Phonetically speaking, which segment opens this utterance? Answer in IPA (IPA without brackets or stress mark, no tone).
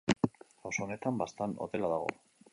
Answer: a